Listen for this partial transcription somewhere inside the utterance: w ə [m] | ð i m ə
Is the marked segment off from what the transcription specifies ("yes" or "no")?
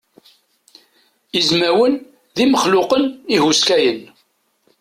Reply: yes